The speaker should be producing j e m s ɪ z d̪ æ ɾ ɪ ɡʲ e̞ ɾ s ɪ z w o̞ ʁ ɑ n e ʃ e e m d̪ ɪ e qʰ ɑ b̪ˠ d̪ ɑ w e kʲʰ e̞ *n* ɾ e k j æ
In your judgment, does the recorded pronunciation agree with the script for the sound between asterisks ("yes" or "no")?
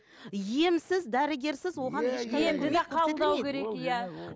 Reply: no